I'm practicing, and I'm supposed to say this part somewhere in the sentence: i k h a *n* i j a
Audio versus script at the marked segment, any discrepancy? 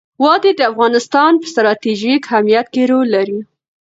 yes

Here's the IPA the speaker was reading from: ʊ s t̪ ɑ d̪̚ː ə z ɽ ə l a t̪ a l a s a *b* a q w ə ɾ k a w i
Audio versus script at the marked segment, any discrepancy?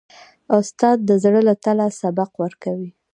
no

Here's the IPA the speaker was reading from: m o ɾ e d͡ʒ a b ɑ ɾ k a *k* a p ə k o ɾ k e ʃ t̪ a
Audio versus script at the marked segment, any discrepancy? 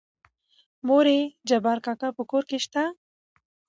no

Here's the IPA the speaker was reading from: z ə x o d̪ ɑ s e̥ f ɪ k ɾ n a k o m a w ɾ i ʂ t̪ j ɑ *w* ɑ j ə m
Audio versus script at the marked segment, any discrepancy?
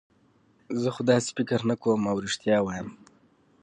no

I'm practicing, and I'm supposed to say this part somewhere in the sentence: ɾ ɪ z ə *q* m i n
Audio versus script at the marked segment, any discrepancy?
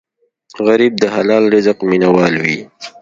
no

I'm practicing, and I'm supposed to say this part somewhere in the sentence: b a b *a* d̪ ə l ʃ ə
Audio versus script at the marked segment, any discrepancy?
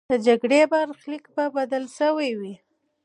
no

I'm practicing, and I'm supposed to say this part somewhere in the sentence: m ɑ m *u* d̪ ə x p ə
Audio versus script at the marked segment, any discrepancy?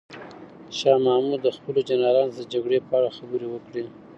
no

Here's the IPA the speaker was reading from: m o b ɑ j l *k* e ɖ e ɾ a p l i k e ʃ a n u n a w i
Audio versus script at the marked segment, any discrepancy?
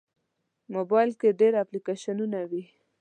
no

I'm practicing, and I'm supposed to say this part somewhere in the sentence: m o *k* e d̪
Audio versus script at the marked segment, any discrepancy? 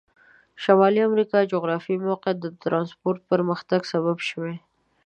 yes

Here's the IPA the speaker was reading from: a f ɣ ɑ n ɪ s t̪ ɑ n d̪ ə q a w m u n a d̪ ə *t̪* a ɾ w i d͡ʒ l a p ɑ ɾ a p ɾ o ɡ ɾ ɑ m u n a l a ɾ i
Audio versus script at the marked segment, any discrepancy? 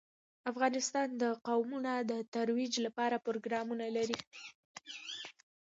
no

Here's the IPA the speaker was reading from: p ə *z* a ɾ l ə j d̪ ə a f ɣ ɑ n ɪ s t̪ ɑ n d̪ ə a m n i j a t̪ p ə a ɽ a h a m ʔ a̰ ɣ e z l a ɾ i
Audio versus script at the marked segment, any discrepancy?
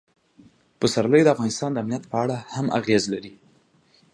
yes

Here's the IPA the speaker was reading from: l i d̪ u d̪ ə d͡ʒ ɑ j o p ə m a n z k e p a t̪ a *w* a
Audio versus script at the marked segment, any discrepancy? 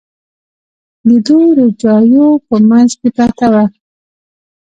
no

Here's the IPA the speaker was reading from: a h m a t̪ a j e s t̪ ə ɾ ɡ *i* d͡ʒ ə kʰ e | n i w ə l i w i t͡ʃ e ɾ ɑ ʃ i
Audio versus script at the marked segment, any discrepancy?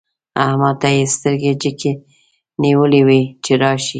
yes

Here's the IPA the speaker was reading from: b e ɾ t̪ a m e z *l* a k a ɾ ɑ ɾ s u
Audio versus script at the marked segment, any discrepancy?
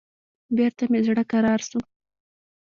yes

